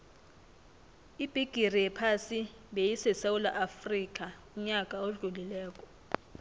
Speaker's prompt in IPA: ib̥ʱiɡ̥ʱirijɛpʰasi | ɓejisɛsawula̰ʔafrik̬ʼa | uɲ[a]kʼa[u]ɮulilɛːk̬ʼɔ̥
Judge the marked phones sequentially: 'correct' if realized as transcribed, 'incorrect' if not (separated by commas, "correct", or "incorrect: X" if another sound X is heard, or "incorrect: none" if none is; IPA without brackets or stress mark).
correct, incorrect: o